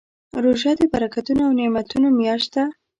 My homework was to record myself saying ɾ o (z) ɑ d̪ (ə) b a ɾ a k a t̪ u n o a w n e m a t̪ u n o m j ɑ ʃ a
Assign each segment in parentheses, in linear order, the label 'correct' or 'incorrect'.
incorrect: ʒ, correct

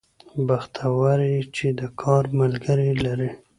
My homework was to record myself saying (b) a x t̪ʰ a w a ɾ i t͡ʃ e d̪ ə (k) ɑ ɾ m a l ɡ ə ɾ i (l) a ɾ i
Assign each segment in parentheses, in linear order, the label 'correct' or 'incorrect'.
correct, incorrect: kʰ, correct

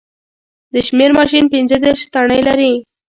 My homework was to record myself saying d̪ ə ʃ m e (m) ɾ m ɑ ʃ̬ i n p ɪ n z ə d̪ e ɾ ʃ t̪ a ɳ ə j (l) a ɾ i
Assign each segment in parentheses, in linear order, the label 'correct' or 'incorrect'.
incorrect: none, correct

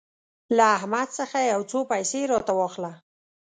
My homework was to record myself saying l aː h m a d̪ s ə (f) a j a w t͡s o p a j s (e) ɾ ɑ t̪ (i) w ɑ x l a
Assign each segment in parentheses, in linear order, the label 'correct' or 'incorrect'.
incorrect: x, correct, incorrect: a

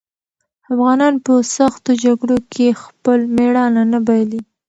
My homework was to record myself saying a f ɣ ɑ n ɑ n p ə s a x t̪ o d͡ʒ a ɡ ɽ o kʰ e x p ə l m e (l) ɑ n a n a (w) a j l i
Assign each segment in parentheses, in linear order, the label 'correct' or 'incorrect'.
incorrect: ɽ, incorrect: b

